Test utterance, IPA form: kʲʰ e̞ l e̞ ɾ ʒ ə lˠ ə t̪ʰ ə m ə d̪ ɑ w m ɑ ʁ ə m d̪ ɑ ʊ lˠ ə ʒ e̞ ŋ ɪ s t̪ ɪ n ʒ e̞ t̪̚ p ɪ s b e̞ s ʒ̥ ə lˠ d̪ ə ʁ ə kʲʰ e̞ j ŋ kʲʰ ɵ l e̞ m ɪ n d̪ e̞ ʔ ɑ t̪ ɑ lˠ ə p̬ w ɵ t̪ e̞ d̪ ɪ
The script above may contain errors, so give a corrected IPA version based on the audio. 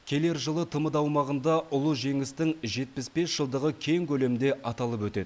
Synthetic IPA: kʲʰ e̞ l e̞ ɾ ʒ ə lˠ ə t̪ʰ ə m ə d̪ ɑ w m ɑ ʁ ə n d̪ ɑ ʊ lˠ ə ʒ e̞ ŋ ɪ s t̪ ɪ ŋ ʒ e̞ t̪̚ p ɪ s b e̞ s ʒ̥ ə lˠ d̪ ə ʁ ə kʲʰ e̞ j ŋ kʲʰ ɵ l e̞ m ɪ n d̪ e̞ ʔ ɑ t̪ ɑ lˠ ə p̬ w ɵ t̪ e̞ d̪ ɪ